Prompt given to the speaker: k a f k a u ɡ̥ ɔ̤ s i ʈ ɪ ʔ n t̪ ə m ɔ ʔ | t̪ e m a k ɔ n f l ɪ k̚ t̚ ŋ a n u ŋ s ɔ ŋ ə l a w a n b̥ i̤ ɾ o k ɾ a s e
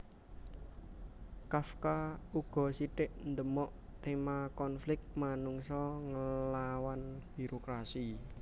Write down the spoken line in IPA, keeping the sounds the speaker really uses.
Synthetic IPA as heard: k a f k a u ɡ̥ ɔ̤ s i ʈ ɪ ʔ n d̪ ə m ɔ ʔ | t̪ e m a k ɔ n f l ɪ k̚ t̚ m a n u ŋ s ɔ ŋ ə l a w a n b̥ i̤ ɾ o k ɾ a s i